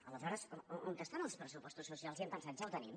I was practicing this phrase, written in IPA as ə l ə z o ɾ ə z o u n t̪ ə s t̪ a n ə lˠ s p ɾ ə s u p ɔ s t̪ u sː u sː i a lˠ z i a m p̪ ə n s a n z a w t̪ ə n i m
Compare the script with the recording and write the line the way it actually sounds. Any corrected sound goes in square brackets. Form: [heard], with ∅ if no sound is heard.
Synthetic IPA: ə l ə z [ɔ] ɾ ə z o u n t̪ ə s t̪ a n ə lˠ s p ɾ ə s u p ɔ s t̪ u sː u [s] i a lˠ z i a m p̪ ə n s a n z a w t̪ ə n i m